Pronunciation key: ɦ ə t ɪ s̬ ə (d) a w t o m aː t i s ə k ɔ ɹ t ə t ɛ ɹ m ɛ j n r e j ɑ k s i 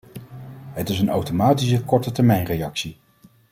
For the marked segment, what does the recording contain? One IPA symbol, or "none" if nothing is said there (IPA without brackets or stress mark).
n